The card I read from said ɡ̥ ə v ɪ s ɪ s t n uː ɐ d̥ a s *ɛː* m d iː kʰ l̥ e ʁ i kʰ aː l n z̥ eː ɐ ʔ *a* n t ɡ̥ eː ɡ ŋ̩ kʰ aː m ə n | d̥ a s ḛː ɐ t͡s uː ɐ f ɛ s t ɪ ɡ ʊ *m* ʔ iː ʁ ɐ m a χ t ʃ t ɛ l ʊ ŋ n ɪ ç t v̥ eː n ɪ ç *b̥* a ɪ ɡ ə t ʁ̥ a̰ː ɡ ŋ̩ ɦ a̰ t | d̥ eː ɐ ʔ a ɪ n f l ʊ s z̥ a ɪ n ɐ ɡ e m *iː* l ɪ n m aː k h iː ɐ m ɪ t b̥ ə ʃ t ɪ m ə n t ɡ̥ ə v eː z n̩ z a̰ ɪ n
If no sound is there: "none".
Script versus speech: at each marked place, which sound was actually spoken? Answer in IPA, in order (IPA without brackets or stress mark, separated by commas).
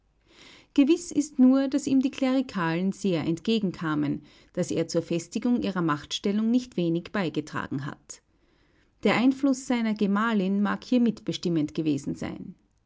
iː, ɛ, ŋ, b̥, aː